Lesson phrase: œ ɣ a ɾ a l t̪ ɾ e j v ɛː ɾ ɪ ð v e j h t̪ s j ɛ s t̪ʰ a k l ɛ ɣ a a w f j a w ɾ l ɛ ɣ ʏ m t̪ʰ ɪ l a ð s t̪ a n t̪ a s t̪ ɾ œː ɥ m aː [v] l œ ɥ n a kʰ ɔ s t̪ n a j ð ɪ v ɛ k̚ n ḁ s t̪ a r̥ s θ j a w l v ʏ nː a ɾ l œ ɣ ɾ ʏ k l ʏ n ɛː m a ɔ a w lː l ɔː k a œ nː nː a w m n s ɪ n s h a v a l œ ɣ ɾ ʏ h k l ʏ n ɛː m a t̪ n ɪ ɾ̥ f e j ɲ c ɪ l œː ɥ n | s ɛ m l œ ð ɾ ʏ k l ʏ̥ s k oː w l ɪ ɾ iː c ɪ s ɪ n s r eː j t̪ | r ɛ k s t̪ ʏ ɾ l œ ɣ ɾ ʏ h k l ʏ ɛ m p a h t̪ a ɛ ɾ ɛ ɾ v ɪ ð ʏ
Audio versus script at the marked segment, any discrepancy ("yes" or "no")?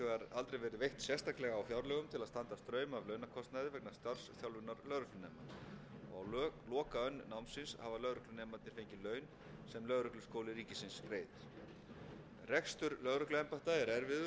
no